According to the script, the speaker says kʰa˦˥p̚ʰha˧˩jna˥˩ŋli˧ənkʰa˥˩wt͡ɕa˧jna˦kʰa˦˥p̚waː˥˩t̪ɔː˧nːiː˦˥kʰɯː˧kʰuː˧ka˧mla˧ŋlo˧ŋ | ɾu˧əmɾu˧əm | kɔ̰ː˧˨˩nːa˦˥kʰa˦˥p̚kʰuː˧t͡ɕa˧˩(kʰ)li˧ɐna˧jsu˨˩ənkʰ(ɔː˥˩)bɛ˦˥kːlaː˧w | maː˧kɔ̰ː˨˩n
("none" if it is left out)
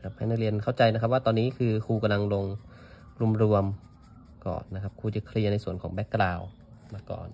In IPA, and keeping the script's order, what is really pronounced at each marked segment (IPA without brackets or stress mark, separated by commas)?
kʰ, ɔː˩˦